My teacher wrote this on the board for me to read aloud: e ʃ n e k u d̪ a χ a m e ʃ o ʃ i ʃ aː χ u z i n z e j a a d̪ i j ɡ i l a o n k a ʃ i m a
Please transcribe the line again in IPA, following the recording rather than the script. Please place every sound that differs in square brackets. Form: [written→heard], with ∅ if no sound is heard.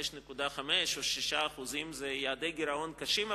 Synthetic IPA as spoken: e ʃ n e k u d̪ a χ a m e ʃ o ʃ i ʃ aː χ u z i [n→m] z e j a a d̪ [i→e] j ɡ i [l→ɾ] a o n k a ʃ i m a